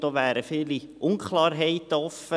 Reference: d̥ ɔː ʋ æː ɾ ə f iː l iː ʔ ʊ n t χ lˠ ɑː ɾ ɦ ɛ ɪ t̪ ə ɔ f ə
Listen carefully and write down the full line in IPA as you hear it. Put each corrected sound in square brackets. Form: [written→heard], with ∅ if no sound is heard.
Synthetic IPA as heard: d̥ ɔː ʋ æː ɾ ə f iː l [iː→i] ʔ ʊ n [t→k] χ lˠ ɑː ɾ ɦ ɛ ɪ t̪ ə ɔ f ə